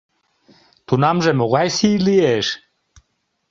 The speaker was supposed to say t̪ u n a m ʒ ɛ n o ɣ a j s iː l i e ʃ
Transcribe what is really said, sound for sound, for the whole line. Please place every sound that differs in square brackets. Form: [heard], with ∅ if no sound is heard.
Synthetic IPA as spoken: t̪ u n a m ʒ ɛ [m] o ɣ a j s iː l i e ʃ